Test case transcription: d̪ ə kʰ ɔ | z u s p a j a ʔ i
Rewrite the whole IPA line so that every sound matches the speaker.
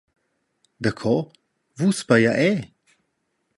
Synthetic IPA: d̪ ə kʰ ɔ | v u s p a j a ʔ ɛ